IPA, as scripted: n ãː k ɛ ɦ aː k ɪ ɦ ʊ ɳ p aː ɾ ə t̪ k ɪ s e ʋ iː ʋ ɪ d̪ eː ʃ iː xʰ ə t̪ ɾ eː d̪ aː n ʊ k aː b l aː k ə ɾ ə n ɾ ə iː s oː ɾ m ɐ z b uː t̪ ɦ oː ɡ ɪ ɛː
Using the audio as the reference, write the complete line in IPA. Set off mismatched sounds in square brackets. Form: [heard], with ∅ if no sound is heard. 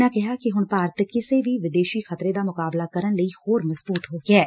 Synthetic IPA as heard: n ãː k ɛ ɦ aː k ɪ ɦ ʊ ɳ p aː ɾ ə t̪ k ɪ s e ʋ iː ʋ ɪ d̪ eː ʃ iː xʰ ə t̪ ɾ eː d̪ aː [m] ʊ k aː b l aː k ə ɾ ə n [l] ə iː [h] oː ɾ m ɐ z b uː t̪ ɦ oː ɡ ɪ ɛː